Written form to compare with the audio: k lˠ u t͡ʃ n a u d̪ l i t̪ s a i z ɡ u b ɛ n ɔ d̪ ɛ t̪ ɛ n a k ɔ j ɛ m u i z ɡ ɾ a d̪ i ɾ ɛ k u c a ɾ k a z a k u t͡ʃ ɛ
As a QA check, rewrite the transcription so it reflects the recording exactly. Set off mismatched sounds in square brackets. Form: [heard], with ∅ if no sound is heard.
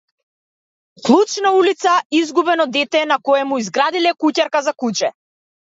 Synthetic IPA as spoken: k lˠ u t͡ʃ n a u [∅] l i t̪ s a i z ɡ u b ɛ n ɔ d̪ ɛ t̪ ɛ n a k ɔ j ɛ m u i z ɡ ɾ a d̪ i [l] ɛ k u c a ɾ k a z a k u t͡ʃ ɛ